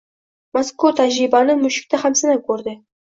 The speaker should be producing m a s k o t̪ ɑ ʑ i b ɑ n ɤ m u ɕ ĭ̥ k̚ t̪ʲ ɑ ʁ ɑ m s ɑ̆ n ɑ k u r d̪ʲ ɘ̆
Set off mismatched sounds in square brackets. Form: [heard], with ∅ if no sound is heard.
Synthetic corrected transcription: m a s k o t̪ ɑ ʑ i b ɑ n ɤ m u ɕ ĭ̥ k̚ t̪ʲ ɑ [χ] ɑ m s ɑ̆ n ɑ k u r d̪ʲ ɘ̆